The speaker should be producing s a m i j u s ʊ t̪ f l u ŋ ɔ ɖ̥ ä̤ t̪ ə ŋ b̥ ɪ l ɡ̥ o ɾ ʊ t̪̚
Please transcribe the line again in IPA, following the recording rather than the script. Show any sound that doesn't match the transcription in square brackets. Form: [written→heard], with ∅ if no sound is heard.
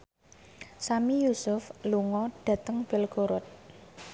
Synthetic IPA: s a m i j u s ʊ [t̪→∅] f l u ŋ ɔ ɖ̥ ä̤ t̪ ə ŋ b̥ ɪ l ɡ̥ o ɾ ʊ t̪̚

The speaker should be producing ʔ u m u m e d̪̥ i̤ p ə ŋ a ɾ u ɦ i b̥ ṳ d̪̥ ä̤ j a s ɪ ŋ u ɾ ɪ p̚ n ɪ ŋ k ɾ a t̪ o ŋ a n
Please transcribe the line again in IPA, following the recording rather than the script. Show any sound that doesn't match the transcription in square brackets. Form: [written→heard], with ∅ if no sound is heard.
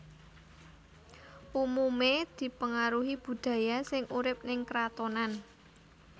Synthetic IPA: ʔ u m u m e d̪̥ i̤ p ə ŋ a ɾ u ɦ i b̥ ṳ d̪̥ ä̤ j a s ɪ ŋ u ɾ ɪ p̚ n ɪ ŋ k ɾ a t̪ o [ŋ→n] a n

